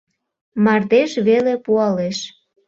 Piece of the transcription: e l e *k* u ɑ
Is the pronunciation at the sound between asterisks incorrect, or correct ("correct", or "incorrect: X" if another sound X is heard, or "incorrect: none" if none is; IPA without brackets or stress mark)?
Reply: incorrect: p